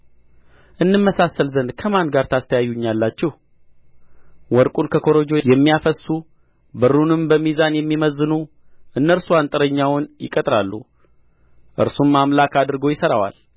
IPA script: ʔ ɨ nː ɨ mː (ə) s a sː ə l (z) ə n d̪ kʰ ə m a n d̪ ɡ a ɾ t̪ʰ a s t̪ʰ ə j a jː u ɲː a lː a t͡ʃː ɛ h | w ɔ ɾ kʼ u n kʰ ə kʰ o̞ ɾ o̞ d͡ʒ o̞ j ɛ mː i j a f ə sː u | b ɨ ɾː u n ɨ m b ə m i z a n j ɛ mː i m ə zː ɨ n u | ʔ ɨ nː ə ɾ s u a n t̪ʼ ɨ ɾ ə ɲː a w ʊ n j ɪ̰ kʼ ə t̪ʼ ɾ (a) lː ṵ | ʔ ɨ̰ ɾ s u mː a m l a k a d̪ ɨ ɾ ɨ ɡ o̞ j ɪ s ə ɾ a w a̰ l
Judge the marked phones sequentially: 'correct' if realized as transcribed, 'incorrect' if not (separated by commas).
correct, correct, correct